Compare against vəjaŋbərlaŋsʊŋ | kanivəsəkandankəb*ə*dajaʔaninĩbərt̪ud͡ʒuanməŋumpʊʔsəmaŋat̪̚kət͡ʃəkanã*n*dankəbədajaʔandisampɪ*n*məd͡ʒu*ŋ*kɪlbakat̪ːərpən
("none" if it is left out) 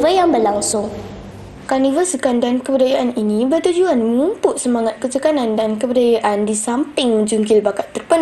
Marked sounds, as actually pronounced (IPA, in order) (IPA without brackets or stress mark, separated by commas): ə, n, ŋ, ŋ